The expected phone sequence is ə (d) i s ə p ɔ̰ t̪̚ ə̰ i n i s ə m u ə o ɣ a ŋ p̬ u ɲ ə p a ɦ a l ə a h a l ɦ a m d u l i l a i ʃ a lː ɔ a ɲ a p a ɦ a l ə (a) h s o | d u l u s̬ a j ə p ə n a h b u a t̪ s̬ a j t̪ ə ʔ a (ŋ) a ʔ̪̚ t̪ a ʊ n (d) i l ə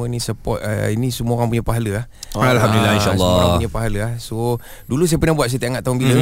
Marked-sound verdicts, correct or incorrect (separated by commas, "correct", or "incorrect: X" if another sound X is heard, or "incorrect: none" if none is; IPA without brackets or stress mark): incorrect: n, correct, correct, incorrect: b